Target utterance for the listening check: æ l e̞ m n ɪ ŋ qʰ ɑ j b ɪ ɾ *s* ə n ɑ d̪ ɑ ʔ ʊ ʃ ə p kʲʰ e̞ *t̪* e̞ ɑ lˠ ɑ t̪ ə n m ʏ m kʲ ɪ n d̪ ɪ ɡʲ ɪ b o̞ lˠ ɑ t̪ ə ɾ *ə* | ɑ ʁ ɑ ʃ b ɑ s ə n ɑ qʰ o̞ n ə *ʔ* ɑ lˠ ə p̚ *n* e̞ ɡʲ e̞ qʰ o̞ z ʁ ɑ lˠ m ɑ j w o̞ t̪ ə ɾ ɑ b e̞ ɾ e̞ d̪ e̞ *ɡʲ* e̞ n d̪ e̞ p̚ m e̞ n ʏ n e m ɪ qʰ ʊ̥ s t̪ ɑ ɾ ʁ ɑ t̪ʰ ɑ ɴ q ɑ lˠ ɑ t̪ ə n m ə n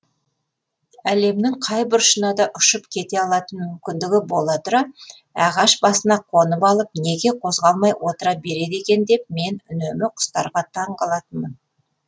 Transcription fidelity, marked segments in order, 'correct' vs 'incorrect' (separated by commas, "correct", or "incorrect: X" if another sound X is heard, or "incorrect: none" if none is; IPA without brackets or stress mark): incorrect: ʃ, correct, incorrect: ɑ, incorrect: p, correct, incorrect: kʲ